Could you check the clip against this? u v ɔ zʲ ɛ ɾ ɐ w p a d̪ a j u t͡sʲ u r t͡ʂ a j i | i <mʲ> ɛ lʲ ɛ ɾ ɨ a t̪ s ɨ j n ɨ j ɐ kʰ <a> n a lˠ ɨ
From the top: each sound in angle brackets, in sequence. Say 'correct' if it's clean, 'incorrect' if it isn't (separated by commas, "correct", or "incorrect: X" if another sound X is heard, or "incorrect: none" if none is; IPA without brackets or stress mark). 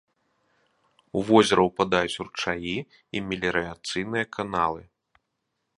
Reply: correct, correct